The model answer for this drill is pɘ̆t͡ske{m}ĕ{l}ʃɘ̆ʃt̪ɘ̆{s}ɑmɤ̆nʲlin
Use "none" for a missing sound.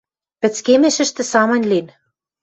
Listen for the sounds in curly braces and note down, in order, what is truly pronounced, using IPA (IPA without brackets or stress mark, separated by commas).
m, none, s